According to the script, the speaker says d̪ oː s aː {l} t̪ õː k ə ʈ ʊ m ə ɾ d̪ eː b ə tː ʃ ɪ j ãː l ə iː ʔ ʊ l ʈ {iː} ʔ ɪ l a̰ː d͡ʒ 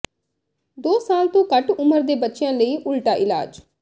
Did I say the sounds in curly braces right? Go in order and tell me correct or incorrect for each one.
correct, incorrect

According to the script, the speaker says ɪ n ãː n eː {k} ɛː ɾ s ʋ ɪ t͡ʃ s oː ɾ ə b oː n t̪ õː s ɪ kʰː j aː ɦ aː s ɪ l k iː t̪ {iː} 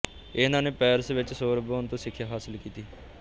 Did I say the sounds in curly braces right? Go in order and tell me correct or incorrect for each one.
incorrect, correct

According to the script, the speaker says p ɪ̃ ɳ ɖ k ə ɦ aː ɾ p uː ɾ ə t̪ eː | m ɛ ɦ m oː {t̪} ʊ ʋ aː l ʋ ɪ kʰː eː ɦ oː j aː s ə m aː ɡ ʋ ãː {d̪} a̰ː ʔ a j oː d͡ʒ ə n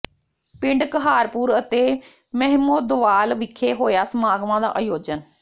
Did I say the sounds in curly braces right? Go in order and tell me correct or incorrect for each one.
incorrect, correct

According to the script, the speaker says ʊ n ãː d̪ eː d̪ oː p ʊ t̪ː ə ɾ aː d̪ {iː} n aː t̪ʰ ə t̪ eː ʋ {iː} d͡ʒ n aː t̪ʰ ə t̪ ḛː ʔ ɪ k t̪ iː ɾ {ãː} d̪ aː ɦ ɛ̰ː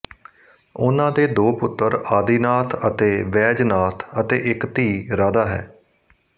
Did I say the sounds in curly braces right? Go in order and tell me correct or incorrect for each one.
correct, incorrect, incorrect

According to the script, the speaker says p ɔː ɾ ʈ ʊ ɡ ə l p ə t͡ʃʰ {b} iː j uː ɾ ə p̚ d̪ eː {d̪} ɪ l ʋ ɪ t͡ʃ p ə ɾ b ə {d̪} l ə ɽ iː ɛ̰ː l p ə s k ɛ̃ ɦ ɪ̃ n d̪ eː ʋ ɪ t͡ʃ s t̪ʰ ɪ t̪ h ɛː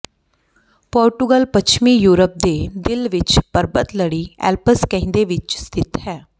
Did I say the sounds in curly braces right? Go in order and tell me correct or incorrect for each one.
incorrect, correct, incorrect

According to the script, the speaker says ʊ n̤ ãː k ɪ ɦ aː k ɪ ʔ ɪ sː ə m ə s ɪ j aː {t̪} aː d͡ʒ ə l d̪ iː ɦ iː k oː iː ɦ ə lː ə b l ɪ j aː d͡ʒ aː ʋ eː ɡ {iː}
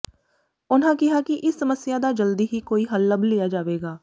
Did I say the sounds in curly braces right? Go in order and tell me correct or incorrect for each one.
incorrect, incorrect

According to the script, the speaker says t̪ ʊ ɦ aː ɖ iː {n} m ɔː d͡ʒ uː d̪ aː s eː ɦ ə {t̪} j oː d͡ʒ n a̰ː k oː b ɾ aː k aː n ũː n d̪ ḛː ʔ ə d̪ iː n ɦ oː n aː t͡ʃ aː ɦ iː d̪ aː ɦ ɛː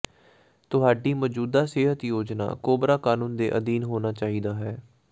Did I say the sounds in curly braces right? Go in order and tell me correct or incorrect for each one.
incorrect, correct

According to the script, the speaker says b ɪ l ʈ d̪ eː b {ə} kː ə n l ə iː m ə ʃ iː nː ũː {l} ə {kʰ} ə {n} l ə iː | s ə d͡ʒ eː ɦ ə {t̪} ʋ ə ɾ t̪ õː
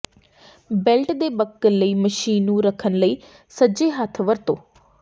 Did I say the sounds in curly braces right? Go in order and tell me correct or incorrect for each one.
correct, incorrect, correct, correct, incorrect

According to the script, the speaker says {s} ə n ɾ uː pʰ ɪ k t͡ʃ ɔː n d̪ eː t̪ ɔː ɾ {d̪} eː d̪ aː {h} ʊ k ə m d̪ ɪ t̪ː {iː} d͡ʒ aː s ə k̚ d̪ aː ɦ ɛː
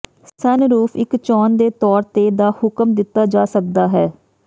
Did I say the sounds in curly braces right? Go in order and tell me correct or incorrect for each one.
correct, incorrect, correct, incorrect

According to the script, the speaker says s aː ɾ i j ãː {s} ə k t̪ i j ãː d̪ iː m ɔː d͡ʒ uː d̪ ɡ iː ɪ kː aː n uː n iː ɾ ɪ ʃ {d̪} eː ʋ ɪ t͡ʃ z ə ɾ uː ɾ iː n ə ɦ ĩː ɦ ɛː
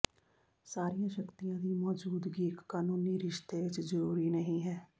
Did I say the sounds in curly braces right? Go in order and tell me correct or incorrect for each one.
incorrect, incorrect

